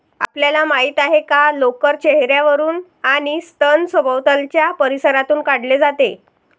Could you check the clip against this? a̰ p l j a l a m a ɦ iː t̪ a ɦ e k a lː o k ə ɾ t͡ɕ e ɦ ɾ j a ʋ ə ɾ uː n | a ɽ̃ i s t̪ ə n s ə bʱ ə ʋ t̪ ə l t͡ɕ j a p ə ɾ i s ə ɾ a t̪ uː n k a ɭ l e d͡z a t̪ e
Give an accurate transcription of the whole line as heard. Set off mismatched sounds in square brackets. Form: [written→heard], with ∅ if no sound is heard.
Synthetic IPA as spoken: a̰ p l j a l a m a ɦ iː t̪ a ɦ e k a [lː→l] o k ə ɾ t͡ɕ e ɦ ɾ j a ʋ ə ɾ uː n | a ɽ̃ i s t̪ ə n s ə bʱ ə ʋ t̪ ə l t͡ɕ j a p ə ɾ i s ə ɾ a t̪ uː n k a [ɭ→ɽ] l e d͡z a t̪ e